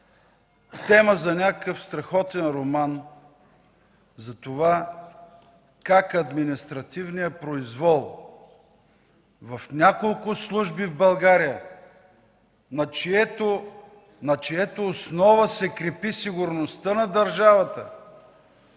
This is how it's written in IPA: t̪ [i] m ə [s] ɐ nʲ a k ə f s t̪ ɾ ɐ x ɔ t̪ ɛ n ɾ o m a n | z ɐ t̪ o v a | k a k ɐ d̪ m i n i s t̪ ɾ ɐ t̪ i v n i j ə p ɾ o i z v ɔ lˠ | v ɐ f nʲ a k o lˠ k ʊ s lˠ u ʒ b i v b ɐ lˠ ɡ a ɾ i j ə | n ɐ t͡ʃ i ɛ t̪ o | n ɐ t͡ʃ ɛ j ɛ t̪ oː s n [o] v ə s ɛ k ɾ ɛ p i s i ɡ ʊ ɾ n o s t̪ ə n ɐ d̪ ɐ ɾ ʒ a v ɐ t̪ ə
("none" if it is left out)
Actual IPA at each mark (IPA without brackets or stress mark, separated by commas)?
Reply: ɛ, z, ɔ